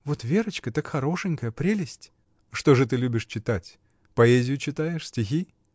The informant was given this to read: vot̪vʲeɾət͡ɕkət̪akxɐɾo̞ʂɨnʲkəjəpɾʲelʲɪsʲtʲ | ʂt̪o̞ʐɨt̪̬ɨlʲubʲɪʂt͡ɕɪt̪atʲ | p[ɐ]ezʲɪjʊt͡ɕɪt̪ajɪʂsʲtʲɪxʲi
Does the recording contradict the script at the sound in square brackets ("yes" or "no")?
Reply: no